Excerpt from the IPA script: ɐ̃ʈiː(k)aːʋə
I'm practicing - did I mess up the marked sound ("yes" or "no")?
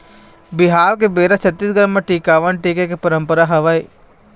no